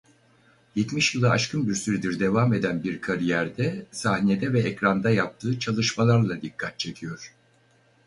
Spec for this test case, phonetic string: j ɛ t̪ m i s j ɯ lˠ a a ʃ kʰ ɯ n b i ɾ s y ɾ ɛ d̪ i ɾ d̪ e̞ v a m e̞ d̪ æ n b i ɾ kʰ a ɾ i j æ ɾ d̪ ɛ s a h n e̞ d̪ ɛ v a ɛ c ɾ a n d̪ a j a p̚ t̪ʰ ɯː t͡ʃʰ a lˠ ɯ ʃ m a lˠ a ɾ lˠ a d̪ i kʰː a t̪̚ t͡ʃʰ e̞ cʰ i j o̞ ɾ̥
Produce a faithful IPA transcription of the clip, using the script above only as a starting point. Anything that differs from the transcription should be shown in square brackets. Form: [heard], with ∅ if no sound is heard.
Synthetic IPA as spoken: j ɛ t̪ m i [ʃ] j ɯ lˠ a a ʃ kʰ ɯ n b i ɾ s y ɾ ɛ d̪ i ɾ d̪ e̞ v a m e̞ d̪ æ n b i ɾ kʰ a ɾ i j æ ɾ d̪ ɛ s a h n e̞ d̪ ɛ v [ɛ] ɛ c ɾ a n d̪ a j a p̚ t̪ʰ ɯː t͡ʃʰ a lˠ ɯ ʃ m a lˠ a ɾ lˠ a d̪ i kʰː a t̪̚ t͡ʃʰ e̞ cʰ i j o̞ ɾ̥

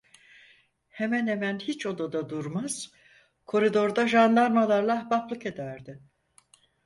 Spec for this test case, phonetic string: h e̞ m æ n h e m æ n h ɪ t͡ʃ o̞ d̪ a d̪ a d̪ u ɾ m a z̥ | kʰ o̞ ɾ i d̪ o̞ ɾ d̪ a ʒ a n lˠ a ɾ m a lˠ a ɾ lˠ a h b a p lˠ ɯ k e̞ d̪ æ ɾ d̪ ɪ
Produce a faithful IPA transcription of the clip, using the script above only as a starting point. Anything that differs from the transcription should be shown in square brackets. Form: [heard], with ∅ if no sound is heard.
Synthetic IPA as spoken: h e̞ m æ n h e m æ n h [i] t͡ʃ o̞ d̪ a d̪ a d̪ u ɾ m a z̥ | kʰ o̞ ɾ i d̪ o̞ ɾ d̪ a ʒ a n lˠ a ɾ m a lˠ a ɾ lˠ a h b a p lˠ ɯ k e̞ d̪ æ ɾ d̪ ɪ

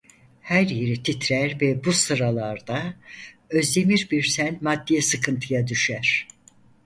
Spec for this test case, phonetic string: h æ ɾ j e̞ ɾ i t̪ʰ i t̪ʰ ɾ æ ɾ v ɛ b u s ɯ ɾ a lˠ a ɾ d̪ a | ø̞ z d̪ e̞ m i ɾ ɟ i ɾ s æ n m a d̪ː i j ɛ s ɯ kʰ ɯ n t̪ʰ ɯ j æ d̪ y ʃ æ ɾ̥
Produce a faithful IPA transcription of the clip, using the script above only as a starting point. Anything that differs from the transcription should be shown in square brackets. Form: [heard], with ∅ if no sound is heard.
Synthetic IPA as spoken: h æ ɾ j e̞ ɾ i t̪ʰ i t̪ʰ ɾ æ ɾ v ɛ b u s ɯ ɾ a lˠ a ɾ d̪ a | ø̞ z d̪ e̞ m i ɾ [b] i ɾ s æ n m a d̪ː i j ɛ s ɯ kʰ ɯ n t̪ʰ ɯ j [a] d̪ y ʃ æ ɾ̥

